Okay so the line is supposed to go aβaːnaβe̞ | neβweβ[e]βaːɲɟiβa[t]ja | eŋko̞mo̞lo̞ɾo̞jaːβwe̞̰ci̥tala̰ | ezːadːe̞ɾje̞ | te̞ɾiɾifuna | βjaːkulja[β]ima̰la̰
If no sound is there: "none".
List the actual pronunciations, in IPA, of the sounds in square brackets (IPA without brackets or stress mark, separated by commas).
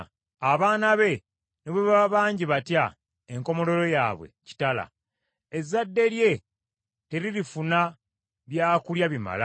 a, t, β